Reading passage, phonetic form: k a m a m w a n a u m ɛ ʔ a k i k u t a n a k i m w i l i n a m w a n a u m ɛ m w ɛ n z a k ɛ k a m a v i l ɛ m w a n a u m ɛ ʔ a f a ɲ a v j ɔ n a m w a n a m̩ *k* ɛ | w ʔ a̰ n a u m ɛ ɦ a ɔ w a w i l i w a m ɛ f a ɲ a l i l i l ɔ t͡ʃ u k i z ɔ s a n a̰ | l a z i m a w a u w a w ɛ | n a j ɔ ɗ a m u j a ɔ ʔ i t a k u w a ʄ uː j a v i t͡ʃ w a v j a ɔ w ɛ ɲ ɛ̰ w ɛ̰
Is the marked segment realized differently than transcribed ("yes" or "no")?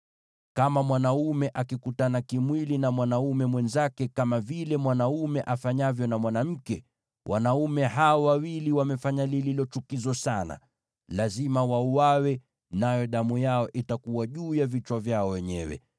no